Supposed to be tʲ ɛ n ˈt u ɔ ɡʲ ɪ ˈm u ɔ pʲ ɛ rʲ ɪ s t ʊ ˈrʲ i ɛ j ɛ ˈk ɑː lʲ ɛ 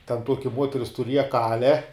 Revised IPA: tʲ ɛ n ˈt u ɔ kʲ ɪ ˈm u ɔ tʲ ɛ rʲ ɪ s t ʊ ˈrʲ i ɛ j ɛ ˈk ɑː lʲ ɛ

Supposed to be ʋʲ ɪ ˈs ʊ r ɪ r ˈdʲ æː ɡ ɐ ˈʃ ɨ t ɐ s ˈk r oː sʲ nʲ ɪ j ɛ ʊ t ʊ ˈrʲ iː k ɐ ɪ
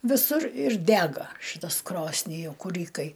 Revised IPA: ʋʲ ɪ ˈs ʊ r ɪ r ˈdʲ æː ɡ ɐ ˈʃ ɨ t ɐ s ˈk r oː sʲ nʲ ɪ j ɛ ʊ k ʊ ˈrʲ iː k ɐ ɪ

